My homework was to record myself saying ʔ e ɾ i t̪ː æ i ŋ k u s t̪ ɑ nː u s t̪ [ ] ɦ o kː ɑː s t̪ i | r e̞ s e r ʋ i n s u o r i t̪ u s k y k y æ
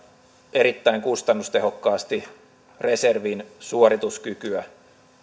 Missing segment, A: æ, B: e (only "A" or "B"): B